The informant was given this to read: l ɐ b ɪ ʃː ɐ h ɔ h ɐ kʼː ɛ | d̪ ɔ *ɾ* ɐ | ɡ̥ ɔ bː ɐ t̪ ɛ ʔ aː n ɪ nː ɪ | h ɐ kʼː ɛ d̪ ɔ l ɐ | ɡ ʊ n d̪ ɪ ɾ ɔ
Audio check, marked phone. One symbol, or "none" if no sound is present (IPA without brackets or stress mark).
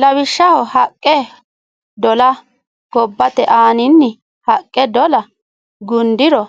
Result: l